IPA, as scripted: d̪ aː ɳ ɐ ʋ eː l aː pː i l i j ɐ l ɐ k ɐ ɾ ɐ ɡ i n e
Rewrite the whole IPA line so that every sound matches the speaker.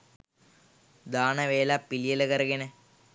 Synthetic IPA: d̪ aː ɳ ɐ ʋ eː l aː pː i l i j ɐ l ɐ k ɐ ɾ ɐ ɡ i n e